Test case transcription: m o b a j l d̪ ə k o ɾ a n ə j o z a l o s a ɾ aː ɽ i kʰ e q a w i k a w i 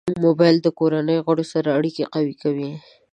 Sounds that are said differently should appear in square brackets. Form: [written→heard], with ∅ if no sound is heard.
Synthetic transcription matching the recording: m o b a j l d̪ ə k o ɾ a n ə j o [z→ɣ] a [l→ɽ] o s a ɾ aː ɽ i [kʰ→k] e q a w i k a w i